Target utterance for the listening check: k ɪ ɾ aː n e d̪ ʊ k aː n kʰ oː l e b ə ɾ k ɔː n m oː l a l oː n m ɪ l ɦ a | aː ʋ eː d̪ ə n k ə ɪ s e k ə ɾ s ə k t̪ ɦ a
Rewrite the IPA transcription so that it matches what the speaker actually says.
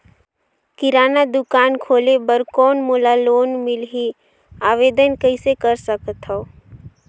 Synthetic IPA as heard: k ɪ ɾ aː n a d̪ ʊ k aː n kʰ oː l e b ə ɾ k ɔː n m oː l a l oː n m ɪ l ɦ i | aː ʋ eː d̪ ə n k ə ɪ s e k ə ɾ s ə k t̪ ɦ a